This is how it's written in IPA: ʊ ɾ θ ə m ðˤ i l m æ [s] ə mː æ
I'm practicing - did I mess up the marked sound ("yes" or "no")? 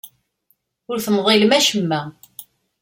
yes